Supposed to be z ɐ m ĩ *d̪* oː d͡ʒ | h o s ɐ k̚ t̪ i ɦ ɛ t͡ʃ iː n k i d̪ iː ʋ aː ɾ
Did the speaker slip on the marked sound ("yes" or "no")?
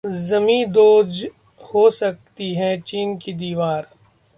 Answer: no